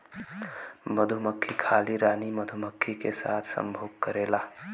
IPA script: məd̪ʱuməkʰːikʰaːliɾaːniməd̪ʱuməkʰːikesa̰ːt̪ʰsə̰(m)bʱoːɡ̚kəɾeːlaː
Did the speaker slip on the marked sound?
no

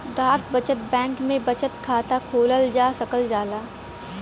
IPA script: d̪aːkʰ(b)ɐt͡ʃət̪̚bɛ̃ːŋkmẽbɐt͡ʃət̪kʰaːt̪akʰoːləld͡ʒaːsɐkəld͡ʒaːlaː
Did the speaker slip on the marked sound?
no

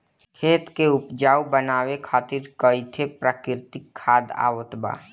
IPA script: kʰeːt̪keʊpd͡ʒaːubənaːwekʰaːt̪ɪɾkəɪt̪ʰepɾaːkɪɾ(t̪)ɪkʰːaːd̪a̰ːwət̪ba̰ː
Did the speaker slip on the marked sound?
no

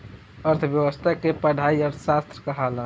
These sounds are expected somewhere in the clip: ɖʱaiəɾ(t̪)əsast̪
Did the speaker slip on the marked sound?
yes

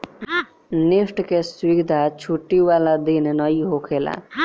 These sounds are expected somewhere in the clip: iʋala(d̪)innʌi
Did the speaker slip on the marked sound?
no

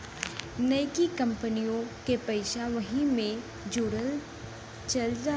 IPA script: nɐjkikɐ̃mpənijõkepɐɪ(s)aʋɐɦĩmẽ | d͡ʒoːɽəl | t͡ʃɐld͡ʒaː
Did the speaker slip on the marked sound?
yes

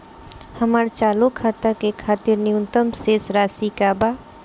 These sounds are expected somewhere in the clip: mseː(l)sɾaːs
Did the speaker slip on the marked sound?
yes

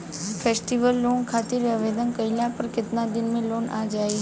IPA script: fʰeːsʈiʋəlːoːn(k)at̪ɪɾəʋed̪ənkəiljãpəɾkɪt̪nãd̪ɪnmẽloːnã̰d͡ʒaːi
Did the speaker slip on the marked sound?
yes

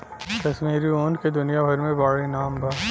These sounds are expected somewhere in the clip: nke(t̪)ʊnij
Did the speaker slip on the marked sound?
yes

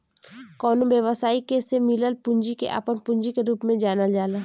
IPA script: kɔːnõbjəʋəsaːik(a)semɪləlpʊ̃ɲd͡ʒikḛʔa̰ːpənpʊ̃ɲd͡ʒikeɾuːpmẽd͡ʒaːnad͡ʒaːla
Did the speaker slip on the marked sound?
yes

